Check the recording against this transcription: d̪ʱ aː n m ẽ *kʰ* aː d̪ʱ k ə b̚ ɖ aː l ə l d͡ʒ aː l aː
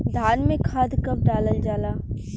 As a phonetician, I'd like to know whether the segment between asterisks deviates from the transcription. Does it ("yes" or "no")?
no